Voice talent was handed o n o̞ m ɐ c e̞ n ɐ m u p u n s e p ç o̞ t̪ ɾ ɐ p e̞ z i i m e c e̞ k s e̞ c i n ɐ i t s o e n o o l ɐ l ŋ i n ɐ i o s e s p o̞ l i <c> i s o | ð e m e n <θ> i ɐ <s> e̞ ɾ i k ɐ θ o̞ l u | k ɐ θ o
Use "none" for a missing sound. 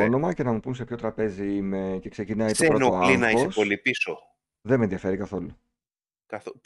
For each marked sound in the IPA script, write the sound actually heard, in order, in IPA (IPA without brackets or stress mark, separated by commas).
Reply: p, ð, f